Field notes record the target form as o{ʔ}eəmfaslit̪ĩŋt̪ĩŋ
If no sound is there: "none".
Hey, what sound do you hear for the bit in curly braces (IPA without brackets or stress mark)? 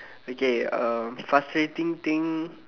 k